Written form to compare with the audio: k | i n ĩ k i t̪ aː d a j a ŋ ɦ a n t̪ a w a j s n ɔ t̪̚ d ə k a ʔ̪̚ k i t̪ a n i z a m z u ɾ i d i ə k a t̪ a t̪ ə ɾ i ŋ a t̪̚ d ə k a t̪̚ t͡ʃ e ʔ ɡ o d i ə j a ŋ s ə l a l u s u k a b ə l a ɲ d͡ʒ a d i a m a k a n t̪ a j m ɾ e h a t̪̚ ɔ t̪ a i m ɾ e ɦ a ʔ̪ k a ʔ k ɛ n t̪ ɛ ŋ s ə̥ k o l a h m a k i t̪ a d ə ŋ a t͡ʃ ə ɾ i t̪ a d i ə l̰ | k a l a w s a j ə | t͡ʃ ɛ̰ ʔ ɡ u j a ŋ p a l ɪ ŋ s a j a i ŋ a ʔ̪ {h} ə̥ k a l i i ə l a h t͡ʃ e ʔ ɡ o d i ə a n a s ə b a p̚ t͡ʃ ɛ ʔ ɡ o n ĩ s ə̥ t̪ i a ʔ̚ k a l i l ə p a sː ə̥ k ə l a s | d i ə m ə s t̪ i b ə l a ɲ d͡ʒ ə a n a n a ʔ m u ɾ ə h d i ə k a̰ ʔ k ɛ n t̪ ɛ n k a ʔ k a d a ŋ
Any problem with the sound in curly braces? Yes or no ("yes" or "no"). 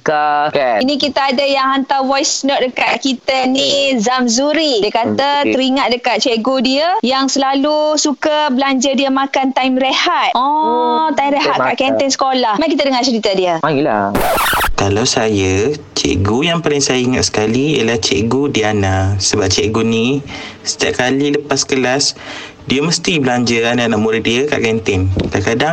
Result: yes